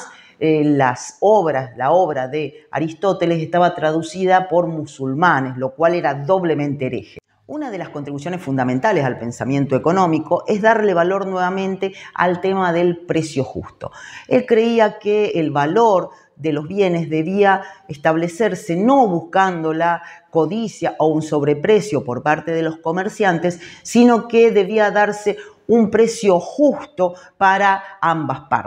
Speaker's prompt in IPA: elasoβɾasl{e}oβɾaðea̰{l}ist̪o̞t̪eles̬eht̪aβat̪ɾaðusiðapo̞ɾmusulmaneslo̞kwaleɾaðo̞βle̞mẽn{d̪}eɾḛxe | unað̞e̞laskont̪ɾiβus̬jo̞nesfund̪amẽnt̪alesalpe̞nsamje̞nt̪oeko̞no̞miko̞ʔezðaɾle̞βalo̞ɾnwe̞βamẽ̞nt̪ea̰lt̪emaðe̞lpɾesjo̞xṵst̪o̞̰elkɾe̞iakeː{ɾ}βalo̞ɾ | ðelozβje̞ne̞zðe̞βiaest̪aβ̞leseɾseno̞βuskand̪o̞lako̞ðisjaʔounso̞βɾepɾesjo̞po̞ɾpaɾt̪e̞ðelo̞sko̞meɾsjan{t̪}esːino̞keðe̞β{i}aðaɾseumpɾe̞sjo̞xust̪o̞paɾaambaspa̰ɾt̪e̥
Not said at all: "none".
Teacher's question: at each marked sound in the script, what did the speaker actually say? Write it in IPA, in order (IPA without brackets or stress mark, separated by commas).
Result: a, ɾ, t̪, l, t̪, i